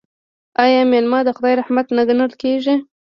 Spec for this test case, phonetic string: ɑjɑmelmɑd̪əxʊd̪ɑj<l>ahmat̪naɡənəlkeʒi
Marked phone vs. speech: incorrect: ɾ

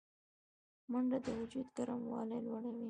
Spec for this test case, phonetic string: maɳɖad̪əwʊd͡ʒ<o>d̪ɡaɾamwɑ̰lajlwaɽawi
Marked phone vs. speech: incorrect: u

